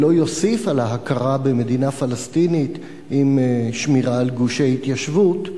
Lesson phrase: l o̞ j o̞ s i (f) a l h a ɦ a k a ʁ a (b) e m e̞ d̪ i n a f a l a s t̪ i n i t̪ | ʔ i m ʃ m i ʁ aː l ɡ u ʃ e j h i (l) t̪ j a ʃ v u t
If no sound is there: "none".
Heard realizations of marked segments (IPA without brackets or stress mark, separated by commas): f, b, none